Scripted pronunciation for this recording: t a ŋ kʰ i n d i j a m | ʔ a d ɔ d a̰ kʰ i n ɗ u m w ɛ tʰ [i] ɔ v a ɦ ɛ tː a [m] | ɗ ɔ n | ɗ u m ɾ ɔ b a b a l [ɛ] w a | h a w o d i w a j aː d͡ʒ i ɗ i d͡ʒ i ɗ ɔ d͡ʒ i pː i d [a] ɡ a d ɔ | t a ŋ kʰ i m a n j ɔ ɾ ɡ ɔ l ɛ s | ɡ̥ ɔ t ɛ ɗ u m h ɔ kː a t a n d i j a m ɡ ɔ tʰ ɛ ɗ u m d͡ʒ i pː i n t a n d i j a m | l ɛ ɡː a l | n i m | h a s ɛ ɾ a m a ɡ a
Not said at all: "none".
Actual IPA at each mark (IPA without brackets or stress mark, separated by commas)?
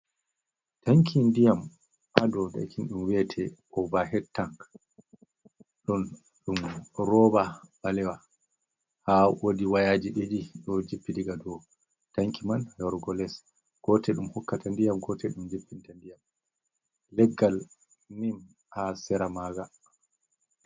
ɛ, ŋ, ɛ, i